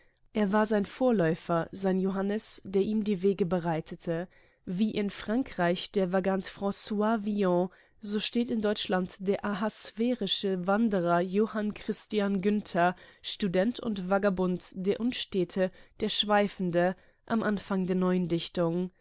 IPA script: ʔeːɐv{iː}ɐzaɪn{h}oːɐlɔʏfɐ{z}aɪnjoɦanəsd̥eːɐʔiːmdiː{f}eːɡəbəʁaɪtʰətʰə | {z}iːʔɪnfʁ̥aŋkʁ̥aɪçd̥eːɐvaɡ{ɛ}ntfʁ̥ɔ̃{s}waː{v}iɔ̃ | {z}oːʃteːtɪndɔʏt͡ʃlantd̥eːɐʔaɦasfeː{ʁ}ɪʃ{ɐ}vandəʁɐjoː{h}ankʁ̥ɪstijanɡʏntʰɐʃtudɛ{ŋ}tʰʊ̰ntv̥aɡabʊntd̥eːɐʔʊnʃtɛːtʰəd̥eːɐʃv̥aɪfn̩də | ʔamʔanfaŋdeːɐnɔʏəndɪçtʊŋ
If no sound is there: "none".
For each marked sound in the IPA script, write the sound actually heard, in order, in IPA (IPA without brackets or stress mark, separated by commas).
aː, f, z, v, v, a, s, v, z, ʁ, ə, h, n